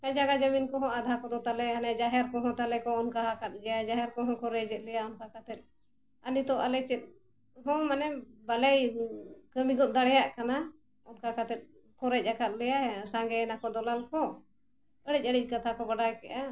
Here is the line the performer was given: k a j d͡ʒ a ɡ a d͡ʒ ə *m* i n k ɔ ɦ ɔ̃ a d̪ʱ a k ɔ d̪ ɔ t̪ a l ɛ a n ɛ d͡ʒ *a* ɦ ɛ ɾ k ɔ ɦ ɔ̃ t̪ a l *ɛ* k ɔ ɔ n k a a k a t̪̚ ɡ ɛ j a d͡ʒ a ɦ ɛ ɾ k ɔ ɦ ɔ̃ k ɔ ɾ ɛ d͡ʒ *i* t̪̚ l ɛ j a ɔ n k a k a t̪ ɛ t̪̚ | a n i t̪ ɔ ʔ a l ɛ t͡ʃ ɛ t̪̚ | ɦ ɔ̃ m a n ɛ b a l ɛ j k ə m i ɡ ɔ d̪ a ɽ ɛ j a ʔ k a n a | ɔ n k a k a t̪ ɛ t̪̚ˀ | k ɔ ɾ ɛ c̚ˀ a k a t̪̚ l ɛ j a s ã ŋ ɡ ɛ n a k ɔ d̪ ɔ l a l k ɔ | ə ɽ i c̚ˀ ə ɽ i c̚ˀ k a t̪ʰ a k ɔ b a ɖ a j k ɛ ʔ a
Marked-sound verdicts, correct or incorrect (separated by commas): correct, correct, correct, incorrect